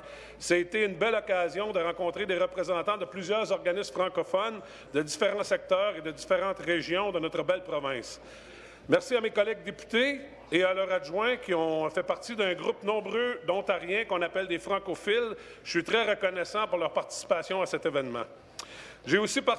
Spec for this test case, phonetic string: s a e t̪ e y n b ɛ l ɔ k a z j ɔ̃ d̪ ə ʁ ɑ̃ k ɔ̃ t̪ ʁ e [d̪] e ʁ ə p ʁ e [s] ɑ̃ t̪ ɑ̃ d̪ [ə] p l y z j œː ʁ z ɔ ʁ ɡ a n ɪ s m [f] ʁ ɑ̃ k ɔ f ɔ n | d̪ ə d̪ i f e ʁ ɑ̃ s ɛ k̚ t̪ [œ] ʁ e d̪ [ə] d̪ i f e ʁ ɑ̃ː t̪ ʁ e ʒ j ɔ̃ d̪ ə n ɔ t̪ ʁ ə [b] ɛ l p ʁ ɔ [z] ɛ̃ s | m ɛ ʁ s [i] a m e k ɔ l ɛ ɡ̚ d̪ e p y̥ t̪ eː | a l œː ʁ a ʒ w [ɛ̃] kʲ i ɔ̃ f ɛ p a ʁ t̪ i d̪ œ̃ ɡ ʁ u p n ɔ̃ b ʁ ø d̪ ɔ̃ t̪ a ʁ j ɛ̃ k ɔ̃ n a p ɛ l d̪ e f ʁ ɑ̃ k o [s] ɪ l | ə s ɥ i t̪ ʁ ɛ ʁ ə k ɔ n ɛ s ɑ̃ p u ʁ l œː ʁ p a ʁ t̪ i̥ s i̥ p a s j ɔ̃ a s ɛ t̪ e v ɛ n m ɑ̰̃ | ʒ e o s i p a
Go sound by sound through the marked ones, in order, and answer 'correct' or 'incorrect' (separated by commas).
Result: correct, incorrect, correct, correct, incorrect, correct, correct, incorrect, correct, correct, incorrect